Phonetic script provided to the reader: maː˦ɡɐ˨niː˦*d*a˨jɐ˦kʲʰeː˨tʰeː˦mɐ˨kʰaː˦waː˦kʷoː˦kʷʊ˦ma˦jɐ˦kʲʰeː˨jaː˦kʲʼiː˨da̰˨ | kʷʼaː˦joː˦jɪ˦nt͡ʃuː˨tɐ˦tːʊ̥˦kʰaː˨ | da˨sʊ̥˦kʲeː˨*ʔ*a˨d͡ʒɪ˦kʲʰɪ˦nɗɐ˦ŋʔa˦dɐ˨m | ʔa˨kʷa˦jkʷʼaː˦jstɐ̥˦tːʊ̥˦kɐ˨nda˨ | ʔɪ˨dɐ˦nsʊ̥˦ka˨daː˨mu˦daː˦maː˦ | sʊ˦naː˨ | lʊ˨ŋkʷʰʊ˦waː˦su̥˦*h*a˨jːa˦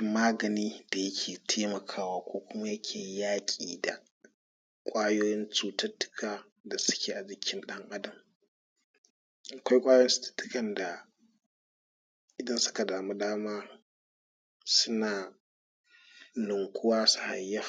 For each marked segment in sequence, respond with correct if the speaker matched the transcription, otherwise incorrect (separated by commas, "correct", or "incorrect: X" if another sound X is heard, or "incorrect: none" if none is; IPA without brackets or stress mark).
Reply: correct, correct, correct